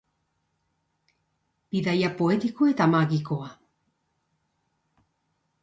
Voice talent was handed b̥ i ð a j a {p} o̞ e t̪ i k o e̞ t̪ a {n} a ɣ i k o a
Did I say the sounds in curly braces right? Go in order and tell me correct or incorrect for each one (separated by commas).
correct, incorrect